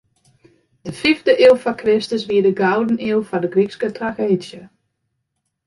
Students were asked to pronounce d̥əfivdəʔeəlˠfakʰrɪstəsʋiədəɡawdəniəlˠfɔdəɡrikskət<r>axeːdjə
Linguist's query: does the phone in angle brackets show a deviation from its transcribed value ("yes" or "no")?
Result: no